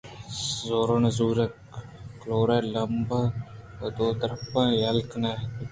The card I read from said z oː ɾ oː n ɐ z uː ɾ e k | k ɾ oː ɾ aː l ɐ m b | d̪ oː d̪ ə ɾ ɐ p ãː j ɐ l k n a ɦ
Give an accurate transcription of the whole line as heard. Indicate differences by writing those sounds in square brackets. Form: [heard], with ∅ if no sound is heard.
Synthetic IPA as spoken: z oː ɾ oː n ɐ z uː ɾ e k | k [l] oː ɾ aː l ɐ m b | d̪ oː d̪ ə ɾ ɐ p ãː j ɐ l k n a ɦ